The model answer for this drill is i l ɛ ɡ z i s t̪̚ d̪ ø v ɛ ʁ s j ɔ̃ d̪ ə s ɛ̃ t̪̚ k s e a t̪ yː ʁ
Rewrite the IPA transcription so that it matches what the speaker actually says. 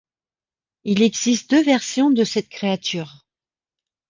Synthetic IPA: i l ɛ ɡ z i s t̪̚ d̪ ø v ɛ ʁ s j ɔ̃ d̪ ə s ɛ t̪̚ k χ e a t̪ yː ʁ